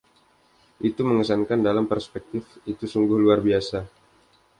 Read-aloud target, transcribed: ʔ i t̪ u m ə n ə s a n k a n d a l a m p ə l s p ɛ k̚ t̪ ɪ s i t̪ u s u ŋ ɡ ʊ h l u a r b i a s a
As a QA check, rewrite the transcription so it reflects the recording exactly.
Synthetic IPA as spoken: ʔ i t̪ u m ə ŋ ə s a n k a n d a l a m p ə r s p ɛ k̚ t̪ ɪ f i t̪ u s u ŋ ɡ ʊ h l u a r b i a s a